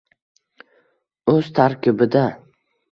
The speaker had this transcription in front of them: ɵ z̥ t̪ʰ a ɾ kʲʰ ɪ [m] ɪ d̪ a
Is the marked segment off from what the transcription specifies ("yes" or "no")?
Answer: yes